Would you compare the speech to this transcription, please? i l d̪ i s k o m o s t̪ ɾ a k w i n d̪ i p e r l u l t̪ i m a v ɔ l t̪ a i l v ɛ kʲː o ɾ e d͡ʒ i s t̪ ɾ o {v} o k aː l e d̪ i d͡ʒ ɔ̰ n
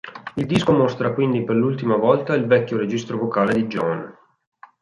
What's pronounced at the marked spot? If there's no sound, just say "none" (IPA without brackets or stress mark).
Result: v